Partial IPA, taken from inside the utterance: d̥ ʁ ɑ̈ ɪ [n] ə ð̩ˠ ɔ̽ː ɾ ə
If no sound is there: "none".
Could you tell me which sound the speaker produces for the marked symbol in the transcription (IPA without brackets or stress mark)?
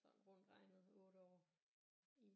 n